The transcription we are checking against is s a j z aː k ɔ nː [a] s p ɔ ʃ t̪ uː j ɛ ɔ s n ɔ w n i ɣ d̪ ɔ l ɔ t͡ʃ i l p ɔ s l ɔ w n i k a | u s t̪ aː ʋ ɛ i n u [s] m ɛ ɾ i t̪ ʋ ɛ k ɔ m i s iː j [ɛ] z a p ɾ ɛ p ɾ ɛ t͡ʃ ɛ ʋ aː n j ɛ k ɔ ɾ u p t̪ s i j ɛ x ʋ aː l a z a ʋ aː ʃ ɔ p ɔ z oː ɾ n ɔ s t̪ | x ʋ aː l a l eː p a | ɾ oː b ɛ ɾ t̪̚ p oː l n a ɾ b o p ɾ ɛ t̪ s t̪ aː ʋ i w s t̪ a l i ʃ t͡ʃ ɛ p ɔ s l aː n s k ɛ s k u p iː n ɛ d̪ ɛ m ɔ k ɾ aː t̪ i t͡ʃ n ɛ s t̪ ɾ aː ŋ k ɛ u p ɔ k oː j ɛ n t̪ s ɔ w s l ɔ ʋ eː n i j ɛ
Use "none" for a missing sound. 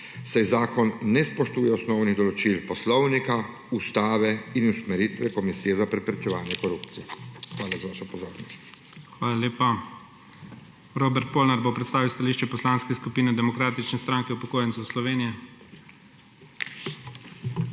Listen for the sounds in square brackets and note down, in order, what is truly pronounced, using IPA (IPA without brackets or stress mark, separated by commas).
ɛ, s, ɛ